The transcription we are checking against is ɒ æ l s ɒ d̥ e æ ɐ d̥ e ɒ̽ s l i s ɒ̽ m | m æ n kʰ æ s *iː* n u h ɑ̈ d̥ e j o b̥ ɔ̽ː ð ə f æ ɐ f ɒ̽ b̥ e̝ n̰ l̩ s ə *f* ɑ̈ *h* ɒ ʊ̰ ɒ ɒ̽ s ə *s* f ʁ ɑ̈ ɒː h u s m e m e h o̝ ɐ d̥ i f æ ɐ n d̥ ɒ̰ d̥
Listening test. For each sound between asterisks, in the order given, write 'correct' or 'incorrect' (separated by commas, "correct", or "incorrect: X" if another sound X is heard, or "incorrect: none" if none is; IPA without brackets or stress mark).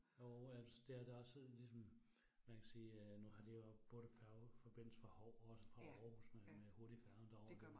correct, correct, correct, incorrect: none